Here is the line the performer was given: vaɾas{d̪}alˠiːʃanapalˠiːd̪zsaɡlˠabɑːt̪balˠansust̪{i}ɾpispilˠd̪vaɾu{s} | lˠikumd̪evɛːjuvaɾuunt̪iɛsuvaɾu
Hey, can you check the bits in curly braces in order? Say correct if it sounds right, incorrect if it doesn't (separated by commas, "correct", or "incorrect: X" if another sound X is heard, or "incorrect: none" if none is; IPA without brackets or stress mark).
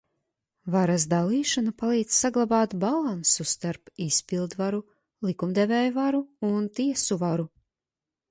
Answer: correct, incorrect: a, incorrect: none